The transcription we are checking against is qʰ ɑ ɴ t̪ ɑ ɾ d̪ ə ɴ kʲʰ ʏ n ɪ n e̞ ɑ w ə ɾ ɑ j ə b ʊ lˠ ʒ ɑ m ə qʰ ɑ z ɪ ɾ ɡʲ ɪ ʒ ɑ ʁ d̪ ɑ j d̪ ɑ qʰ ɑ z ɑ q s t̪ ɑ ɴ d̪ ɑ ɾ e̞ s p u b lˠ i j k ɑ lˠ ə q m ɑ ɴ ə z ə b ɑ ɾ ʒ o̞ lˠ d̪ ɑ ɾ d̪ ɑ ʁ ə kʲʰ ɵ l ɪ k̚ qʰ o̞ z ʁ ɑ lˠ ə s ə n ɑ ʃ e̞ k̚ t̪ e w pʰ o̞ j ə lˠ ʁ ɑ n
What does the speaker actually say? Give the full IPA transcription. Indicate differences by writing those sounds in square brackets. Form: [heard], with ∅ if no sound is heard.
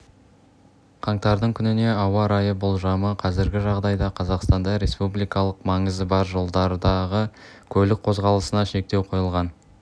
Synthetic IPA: qʰ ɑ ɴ t̪ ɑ ɾ d̪ ə ɴ kʲʰ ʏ n ɪ n e̞ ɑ w [ɑ] ɾ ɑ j ə b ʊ lˠ ʒ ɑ m ə qʰ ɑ z ɪ ɾ ɡʲ ɪ ʒ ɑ ʁ d̪ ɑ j d̪ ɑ qʰ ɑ z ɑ q s t̪ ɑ [n] d̪ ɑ ɾ e̞ s p u b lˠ i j k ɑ lˠ ə q m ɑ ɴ ə z ə b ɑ ɾ ʒ o̞ lˠ d̪ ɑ ɾ d̪ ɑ ʁ ə kʲʰ ɵ l ɪ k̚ qʰ o̞ z ʁ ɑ lˠ ə s ə n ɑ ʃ e̞ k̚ t̪ e w [qʰ] o̞ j ə lˠ ʁ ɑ n